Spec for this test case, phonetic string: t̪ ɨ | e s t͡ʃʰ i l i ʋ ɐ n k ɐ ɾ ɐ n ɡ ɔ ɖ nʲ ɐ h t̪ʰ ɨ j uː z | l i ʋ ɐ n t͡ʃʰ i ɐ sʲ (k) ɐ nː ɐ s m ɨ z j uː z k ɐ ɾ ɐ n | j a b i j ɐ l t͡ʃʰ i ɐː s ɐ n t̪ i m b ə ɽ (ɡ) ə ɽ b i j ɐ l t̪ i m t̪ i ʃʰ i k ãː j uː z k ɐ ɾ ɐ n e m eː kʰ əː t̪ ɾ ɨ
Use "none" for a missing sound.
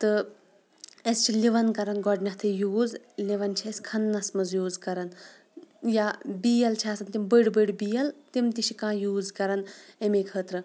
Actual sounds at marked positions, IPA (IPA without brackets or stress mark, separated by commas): kʰ, b